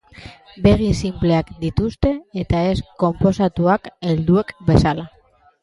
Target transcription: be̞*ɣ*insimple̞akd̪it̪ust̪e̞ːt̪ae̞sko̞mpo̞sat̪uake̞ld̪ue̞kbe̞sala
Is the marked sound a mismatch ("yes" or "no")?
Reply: no